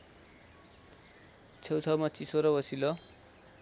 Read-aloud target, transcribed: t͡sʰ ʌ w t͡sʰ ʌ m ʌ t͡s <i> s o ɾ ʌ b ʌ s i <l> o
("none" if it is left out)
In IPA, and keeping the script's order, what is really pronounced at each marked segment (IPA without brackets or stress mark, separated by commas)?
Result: i, l